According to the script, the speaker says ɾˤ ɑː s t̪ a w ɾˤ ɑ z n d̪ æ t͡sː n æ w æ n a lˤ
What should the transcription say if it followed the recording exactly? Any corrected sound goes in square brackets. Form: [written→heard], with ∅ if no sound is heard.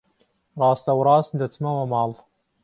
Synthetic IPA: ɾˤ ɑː s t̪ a w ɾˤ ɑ [z→s] n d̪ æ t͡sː [n→m] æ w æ [n→m] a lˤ